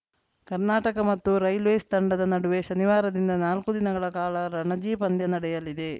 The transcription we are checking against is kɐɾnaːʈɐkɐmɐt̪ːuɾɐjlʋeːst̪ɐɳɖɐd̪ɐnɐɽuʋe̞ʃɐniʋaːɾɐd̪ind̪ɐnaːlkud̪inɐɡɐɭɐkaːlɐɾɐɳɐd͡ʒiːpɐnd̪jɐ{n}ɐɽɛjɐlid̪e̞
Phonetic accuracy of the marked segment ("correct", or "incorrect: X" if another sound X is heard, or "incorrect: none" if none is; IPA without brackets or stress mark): correct